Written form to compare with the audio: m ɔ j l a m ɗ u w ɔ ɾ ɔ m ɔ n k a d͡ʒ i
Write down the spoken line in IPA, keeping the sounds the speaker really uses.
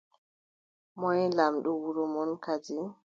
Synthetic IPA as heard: m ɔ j l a m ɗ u w u ɾ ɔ m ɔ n k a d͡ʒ i